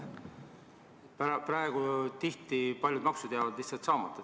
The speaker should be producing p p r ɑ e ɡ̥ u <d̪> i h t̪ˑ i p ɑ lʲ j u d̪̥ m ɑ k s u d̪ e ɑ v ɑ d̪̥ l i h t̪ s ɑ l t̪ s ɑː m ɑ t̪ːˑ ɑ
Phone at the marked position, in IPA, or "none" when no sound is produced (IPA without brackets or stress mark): t̪